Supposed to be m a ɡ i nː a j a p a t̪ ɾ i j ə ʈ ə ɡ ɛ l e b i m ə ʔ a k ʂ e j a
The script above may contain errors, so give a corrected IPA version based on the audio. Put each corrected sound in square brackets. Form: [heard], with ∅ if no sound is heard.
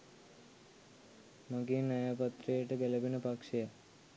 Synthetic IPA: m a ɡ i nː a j a p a t̪ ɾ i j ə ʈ ə ɡ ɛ l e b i [n] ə [p] a k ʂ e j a